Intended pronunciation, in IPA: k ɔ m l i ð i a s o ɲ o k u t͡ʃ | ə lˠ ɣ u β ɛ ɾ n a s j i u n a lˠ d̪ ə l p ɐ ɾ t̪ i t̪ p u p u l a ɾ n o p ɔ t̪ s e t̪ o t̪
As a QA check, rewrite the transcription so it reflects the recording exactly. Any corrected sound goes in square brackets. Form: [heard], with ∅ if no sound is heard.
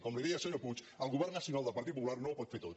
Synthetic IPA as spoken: k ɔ m l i ð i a s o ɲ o [p] u t͡ʃ | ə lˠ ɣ u β ɛ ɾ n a s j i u n a lˠ d̪ ə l p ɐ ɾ t̪ i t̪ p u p u l a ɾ n o p ɔ t̪ [f] e t̪ o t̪